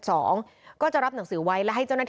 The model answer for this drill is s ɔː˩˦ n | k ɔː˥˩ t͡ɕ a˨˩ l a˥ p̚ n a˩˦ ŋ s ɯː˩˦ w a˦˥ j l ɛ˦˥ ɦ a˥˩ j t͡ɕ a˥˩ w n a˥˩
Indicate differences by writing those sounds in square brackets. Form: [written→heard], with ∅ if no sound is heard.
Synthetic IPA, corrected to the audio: s ɔː˩˦ [n→ŋ] | k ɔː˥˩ t͡ɕ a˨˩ [l→ɾ] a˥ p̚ n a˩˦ ŋ s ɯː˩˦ w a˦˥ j l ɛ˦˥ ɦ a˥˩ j t͡ɕ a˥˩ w n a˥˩